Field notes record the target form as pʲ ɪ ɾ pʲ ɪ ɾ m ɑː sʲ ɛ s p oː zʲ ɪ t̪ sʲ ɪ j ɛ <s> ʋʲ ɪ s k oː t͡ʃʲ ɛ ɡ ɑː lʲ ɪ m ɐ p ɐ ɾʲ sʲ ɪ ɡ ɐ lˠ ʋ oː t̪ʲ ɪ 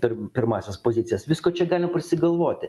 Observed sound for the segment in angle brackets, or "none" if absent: s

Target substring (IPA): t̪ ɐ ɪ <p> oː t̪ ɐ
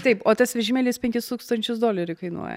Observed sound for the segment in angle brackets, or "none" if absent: p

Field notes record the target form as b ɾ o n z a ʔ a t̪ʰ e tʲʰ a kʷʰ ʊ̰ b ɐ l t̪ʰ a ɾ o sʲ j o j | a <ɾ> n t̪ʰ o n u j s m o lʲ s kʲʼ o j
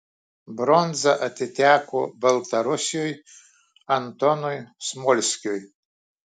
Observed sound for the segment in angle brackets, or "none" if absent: none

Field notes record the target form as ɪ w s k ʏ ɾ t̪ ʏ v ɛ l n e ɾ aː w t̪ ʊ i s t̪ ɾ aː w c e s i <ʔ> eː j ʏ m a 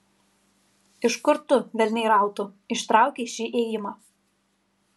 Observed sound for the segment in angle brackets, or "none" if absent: ʔ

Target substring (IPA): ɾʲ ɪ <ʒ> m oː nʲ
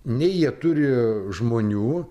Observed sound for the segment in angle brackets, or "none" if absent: ʒ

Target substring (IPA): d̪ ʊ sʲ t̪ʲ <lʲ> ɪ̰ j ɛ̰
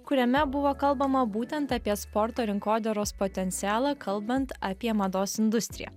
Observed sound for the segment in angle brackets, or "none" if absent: ɾʲ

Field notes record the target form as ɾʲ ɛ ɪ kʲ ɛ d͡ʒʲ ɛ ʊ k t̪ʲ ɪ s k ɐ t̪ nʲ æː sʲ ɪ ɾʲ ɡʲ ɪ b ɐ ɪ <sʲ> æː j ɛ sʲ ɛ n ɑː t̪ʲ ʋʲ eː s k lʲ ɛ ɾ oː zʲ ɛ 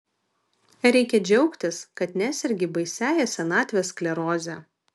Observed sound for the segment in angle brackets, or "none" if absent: sʲ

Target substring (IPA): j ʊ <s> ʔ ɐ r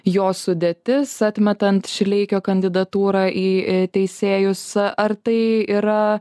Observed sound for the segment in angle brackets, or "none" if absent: s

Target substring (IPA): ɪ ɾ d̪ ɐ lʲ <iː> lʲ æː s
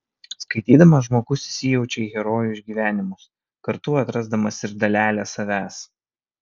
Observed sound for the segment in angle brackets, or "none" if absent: æː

